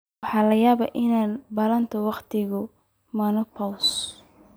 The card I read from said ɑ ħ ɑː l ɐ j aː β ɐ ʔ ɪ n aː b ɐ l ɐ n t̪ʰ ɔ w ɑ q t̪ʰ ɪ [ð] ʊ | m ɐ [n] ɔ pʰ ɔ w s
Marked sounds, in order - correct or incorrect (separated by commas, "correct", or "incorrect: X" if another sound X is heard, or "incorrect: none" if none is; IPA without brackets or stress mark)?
incorrect: ɣ, correct